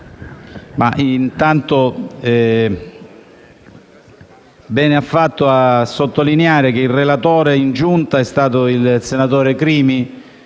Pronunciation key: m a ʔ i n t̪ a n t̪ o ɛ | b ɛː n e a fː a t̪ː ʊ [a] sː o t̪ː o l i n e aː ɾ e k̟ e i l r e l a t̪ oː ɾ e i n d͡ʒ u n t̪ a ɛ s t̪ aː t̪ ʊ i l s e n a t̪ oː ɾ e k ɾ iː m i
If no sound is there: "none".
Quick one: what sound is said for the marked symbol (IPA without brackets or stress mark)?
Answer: a